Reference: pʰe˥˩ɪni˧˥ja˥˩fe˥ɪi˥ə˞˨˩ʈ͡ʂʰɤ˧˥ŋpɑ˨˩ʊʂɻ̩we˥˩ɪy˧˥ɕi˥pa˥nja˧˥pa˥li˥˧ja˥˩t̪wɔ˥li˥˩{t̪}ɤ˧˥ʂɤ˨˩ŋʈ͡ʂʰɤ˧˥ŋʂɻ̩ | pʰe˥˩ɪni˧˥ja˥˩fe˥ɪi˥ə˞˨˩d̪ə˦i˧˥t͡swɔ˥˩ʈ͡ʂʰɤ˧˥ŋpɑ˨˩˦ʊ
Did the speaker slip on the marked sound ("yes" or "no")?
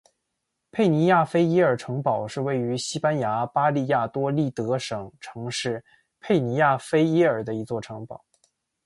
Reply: no